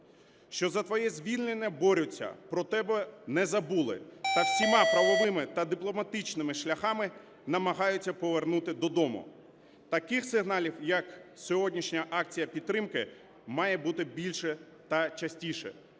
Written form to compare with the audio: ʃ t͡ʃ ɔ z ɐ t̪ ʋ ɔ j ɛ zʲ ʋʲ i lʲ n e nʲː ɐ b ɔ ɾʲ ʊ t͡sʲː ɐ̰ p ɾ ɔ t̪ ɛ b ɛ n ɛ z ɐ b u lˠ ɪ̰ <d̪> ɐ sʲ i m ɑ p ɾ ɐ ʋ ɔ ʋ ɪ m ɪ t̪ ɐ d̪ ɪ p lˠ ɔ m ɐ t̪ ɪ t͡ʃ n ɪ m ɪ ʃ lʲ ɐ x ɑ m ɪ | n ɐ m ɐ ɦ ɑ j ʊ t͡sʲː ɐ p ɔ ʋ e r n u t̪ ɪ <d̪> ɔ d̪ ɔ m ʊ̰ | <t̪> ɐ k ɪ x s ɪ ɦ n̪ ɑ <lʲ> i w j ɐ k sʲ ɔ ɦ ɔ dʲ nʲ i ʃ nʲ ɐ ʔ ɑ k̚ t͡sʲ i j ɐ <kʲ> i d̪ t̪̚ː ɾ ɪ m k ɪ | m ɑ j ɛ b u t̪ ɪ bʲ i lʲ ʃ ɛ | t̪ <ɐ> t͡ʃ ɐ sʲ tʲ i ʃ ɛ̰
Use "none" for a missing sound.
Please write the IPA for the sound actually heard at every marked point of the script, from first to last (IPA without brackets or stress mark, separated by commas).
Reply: t̪, d̪, t̪, lʲ, pʲ, ɐ